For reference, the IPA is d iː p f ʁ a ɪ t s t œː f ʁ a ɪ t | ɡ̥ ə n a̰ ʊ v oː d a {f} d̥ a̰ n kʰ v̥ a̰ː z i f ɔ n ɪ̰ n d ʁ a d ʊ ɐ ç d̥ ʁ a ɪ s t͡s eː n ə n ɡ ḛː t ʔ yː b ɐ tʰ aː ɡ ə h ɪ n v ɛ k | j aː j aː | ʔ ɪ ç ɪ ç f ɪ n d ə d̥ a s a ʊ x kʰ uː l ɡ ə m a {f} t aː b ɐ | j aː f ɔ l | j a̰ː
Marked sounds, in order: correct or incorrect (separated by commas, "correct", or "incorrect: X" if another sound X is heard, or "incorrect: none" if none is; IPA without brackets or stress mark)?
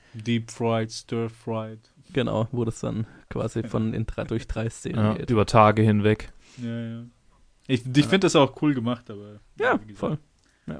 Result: incorrect: s, incorrect: χ